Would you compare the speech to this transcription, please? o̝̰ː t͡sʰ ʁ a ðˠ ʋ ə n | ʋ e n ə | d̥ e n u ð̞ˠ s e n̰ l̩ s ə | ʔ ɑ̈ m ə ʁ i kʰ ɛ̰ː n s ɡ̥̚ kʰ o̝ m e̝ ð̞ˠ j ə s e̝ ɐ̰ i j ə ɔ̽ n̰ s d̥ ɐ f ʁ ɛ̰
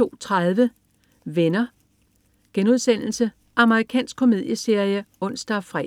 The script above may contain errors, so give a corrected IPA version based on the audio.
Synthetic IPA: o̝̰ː t͡sʰ ʁ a ðˠ ʋ ə | ʋ e n ɐ | ɡ̥ e n u ð̞ˠ s e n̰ l̩ s ə | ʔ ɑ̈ m ə ʁ i kʰ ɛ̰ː n s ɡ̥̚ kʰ o̝ m e̝ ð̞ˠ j ə s e̝ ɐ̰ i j ə ɔ̽ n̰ s d̥ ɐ f ʁ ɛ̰

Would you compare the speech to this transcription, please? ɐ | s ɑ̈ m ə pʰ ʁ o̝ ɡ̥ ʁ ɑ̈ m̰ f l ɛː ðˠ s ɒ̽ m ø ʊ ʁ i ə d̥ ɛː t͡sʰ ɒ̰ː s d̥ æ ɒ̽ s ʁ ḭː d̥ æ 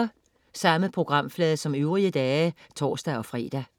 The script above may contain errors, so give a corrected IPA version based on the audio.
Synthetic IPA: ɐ | s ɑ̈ m ə pʰ ʁ o̝ ɡ̥ ʁ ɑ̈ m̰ f l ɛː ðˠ s ɒ̽ m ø ʊ ʁ i ə d̥ ɛː t͡sʰ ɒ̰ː s d̥ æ ɒ̽ f ʁ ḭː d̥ æ

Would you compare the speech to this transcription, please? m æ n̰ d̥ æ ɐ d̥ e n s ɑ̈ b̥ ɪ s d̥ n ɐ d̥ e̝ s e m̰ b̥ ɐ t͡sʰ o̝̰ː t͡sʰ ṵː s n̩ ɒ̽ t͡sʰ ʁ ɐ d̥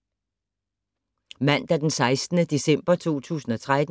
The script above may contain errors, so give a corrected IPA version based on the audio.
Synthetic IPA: m æ n̰ d̥ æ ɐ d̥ e n s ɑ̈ ɪ s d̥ n ə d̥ e̝ s e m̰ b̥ ɐ t͡sʰ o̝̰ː t͡sʰ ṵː s n̩ ɒ̽ t͡sʰ ʁ a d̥

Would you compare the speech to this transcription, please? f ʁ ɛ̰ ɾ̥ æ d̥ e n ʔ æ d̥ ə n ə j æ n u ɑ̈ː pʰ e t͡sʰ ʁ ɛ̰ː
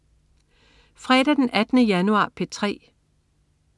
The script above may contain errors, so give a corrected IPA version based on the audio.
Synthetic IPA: f ʁ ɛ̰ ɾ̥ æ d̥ e n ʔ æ d̥ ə n ə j æ n u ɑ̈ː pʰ e t͡sʰ ʁ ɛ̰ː

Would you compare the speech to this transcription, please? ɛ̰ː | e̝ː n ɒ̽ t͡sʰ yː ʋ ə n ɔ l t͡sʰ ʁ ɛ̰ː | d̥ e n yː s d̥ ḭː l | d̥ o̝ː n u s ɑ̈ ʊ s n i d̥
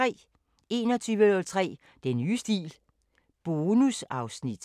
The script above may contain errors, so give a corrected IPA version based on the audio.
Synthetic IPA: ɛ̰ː | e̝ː n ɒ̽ t͡sʰ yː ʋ ə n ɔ l t͡sʰ ʁ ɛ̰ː | d̥ e n yː s d̥ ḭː l | b̥ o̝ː n u s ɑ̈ ʊ s n i d̥

